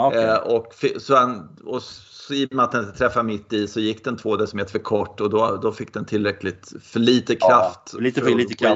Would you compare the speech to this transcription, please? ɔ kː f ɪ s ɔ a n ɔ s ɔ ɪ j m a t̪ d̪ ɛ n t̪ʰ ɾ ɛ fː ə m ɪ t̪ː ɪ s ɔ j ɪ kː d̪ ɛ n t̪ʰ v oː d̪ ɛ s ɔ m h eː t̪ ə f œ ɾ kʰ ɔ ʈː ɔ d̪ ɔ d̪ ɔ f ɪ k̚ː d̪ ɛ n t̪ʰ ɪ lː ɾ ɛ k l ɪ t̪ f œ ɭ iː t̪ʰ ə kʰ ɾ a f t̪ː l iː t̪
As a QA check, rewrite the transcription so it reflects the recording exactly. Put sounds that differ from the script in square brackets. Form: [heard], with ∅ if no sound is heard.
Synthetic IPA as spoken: ɔ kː f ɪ s ɔ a n ɔ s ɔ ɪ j m a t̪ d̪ ɛ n t̪ʰ ɾ ɛ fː [a] m ɪ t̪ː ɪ s ɔ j ɪ kː d̪ ɛ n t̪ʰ v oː d̪ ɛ s ɔ m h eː t̪ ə f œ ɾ kʰ ɔ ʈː ɔ d̪ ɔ d̪ ɔ f ɪ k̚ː d̪ ɛ n t̪ʰ ɪ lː ɾ ɛ k l ɪ t̪ f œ ɭ iː [t̪] ə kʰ ɾ a f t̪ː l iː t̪